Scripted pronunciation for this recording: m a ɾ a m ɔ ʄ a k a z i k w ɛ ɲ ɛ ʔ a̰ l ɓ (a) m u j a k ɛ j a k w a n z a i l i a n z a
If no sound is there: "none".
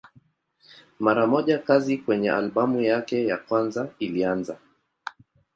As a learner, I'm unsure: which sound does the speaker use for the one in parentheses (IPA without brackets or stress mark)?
a